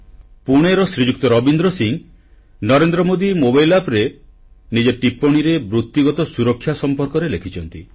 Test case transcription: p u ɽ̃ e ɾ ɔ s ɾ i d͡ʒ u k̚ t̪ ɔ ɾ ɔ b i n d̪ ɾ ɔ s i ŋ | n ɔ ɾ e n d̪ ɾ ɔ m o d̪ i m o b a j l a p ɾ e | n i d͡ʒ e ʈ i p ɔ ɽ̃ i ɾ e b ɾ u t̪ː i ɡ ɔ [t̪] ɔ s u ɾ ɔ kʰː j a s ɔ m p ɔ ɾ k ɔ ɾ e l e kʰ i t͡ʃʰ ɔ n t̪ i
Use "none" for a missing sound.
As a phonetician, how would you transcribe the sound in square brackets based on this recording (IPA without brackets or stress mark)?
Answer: t̪